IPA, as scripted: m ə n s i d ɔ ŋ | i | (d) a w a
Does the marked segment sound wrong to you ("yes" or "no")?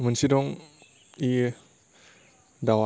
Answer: no